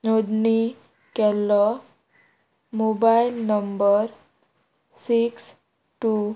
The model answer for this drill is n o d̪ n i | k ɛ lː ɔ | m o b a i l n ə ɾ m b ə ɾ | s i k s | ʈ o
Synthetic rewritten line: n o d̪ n i | k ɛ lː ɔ | m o b a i l n ə m b ə ɾ | s i k s | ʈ u